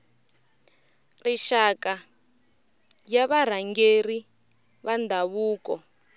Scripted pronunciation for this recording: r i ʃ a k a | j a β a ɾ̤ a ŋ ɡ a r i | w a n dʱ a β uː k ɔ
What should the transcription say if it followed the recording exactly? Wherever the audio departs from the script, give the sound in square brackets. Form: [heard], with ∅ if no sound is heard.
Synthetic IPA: r i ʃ a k a | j a β a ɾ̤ a ŋ ɡ [e] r i | [β] a n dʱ a β uː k ɔ